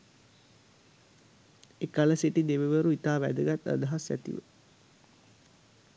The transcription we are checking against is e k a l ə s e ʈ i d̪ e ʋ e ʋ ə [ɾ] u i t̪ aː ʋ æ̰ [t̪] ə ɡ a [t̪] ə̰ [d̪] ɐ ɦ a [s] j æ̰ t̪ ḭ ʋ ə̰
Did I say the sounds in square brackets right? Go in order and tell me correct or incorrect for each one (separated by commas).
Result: correct, incorrect, correct, correct, correct